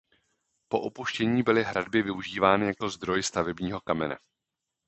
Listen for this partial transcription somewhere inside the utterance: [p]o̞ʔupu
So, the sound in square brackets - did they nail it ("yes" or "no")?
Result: yes